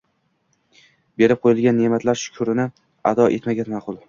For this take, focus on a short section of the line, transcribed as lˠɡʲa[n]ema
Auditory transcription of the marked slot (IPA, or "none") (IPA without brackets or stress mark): nː